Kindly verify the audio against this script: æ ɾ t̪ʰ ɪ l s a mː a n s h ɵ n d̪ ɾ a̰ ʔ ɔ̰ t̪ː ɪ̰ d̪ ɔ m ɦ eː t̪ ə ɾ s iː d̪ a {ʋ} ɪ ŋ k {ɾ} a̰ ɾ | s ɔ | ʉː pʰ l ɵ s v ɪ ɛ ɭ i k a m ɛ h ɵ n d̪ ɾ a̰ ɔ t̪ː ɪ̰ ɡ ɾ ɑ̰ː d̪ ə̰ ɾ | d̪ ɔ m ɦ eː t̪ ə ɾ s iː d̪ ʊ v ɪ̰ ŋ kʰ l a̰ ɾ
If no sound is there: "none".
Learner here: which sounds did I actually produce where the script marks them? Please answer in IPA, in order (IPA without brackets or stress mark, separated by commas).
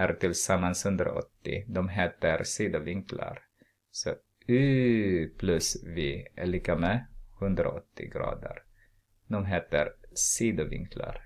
v, l